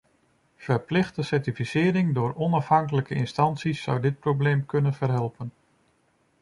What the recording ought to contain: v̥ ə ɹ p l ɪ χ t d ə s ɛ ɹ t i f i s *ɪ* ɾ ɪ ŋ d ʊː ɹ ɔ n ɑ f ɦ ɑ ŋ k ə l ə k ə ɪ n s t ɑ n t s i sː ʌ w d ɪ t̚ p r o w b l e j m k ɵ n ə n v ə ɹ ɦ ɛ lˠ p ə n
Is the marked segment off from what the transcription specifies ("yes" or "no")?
yes